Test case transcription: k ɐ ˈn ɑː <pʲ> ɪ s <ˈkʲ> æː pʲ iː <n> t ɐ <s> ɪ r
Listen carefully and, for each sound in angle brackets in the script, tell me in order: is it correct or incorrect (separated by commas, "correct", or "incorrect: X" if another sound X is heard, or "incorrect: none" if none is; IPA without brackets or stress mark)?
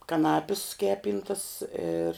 correct, correct, correct, correct